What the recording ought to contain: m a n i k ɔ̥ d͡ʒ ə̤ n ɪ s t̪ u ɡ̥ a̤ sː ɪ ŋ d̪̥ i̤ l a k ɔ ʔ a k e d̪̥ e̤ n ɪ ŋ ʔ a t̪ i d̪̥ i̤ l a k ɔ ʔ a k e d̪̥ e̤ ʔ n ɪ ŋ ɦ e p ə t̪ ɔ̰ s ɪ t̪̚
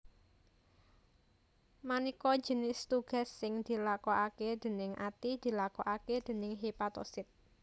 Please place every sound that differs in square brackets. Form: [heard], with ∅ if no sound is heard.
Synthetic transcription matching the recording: m a n i k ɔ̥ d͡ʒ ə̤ n ɪ s t̪ u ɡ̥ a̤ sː ɪ ŋ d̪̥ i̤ l a k ɔ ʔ a k e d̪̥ e̤ n ɪ ŋ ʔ a t̪ i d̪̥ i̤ l a k ɔ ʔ a k e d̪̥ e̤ [∅] n ɪ ŋ ɦ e p [a] t̪ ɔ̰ s ɪ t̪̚